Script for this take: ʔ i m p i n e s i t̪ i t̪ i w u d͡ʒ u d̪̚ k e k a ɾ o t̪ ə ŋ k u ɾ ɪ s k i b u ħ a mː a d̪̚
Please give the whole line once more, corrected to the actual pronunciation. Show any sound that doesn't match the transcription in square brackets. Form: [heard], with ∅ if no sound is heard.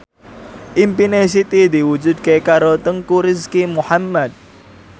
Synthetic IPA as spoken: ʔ i m p i n e s i t̪ i [d̪] i w u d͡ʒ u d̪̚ k e k a ɾ o t̪ ə ŋ k u ɾ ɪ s k i [m] u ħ a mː a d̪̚